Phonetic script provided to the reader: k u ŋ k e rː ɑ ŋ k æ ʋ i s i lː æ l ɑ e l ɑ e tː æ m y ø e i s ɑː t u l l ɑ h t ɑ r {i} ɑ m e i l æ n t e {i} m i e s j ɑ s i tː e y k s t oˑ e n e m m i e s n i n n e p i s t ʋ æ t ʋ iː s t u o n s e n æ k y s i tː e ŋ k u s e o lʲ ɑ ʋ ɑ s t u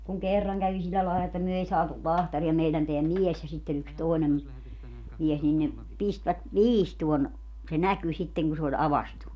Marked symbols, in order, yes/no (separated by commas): yes, no